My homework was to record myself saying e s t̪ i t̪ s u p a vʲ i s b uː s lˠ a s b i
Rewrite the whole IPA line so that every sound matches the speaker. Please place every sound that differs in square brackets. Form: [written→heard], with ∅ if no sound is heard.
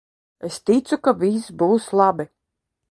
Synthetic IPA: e s t̪ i t̪ s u [p→k] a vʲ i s b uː s lˠ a [s→∅] b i